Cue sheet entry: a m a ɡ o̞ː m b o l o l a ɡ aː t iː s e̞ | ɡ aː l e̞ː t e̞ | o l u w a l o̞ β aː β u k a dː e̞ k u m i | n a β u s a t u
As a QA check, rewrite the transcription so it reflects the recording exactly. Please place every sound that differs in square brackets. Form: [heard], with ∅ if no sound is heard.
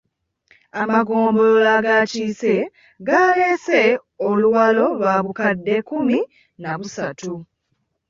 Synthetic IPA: a m a ɡ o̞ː m b o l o l a ɡ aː [c] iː s e̞ | ɡ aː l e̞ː [s] e̞ | o l u w a l o̞ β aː β u k a dː e̞ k u m i | n a β u s a t u